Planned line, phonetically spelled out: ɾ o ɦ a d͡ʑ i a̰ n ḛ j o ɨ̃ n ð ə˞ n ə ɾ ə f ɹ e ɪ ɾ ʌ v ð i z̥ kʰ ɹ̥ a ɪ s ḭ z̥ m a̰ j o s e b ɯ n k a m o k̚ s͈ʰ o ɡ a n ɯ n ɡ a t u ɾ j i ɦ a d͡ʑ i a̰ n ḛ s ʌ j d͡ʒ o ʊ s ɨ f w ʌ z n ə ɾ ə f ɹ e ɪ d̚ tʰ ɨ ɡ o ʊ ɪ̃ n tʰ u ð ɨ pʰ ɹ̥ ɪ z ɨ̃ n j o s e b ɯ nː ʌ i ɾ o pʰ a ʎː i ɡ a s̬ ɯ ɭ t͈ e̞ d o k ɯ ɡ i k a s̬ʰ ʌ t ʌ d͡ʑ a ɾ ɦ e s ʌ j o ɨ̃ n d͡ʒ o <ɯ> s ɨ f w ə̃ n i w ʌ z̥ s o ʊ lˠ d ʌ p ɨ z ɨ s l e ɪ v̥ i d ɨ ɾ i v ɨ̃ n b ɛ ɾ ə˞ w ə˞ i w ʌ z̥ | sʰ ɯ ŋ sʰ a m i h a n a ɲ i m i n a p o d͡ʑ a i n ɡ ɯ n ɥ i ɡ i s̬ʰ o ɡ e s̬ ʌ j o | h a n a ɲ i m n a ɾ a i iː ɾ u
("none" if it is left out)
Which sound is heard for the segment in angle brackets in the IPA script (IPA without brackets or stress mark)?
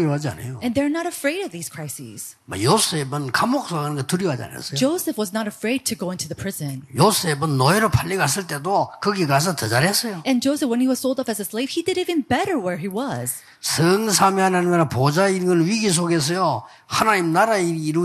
ʊ